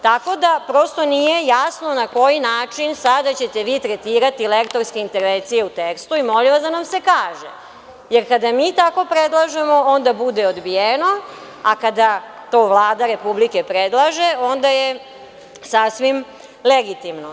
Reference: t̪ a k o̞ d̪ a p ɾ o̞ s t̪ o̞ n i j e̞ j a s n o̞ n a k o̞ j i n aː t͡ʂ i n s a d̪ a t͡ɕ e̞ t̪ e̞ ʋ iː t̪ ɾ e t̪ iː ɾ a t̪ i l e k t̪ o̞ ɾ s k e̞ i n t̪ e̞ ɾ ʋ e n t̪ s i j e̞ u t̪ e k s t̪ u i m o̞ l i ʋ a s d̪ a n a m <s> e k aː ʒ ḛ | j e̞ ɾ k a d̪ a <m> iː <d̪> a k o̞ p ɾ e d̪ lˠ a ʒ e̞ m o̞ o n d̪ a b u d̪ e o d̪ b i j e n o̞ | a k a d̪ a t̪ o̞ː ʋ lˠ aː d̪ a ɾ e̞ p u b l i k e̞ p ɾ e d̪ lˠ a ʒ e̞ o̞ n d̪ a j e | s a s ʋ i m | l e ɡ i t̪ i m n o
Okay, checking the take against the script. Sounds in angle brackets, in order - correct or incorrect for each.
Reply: correct, correct, incorrect

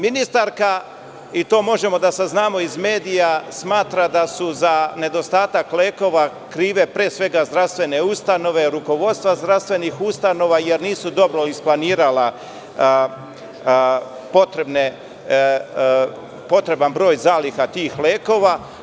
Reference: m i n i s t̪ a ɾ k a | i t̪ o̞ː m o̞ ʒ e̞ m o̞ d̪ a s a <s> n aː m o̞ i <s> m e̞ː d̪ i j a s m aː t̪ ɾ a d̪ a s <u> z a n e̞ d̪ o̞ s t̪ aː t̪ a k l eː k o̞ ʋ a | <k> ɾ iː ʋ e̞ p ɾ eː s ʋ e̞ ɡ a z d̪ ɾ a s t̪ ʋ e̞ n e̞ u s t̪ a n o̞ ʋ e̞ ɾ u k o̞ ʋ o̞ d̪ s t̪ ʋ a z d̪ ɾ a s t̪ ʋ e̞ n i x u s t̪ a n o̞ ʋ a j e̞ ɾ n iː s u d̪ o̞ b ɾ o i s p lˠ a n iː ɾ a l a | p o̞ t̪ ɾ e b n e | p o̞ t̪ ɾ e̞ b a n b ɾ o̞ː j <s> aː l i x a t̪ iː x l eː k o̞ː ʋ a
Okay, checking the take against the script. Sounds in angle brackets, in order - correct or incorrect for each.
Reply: incorrect, incorrect, correct, correct, incorrect

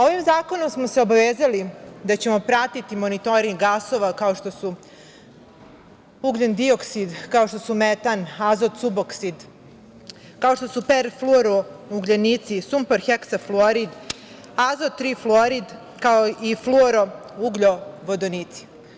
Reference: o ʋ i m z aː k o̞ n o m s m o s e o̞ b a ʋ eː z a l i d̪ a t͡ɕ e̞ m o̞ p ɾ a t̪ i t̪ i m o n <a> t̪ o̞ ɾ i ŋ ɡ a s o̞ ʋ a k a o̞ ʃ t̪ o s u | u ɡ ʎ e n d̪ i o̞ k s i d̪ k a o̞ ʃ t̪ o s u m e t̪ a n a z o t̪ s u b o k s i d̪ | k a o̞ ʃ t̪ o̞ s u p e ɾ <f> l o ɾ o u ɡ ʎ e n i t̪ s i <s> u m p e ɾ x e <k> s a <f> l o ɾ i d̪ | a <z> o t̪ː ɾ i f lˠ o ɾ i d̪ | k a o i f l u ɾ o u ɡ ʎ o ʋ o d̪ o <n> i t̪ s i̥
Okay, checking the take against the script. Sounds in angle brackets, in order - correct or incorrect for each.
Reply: incorrect, correct, correct, correct, correct, correct, correct

